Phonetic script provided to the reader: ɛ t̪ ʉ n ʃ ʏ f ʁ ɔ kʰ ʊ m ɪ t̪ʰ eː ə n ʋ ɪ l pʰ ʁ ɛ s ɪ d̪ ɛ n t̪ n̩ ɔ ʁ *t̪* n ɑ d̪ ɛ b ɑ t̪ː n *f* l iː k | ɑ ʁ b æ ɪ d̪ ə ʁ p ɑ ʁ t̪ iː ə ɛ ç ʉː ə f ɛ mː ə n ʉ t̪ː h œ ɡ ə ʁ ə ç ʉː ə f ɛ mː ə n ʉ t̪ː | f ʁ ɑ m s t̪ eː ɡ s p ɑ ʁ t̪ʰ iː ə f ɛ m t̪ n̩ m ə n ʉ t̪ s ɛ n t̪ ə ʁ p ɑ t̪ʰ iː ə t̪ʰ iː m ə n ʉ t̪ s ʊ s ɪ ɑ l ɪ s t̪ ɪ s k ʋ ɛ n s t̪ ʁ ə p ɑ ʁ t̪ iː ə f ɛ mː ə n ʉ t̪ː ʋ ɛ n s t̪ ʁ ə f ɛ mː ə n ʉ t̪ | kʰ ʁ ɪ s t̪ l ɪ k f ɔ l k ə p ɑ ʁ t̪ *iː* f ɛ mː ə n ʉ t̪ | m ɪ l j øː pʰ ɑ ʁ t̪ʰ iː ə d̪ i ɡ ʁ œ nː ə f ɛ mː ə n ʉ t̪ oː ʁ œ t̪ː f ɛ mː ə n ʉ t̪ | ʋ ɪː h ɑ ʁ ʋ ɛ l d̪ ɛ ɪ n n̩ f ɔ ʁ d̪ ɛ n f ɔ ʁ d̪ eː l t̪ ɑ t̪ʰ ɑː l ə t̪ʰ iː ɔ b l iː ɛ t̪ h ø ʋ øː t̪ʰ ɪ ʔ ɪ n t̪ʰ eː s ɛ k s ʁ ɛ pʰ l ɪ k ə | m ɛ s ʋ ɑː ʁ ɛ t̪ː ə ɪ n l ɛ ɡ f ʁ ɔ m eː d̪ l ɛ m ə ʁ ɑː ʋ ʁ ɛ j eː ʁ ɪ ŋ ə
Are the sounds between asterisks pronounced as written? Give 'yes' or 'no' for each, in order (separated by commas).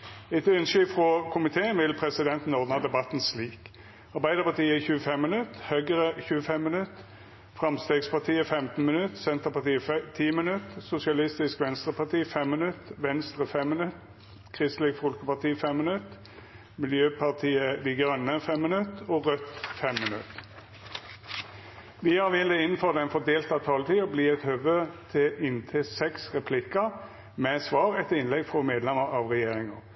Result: no, no, yes